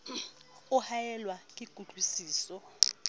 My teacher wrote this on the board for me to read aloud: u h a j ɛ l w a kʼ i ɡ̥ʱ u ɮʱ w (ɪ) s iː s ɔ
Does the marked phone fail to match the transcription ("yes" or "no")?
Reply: yes